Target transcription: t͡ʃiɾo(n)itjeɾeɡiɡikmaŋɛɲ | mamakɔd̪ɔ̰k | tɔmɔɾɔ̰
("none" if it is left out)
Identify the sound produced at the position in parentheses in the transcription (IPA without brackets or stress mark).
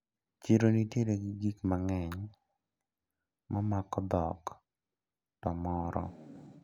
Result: n